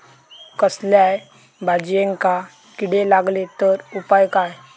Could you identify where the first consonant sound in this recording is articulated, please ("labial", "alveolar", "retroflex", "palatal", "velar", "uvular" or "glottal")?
velar